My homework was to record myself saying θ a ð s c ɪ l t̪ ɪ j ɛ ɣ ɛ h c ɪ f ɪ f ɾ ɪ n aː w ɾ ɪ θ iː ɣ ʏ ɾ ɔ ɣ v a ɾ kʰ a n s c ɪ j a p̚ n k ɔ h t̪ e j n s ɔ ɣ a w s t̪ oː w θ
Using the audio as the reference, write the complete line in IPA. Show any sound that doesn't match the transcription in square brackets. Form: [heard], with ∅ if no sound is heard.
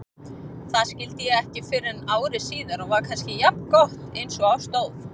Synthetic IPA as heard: θ a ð s c ɪ l t̪ ɪ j ɛ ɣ ɛ h c ɪ f ɪ [∅] ɾ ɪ n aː w ɾ ɪ [s] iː [ð] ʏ ɾ ɔ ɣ v a ɾ kʰ a n s c ɪ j a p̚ n k ɔ h t̪ e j n s ɔ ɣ a w s t̪ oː w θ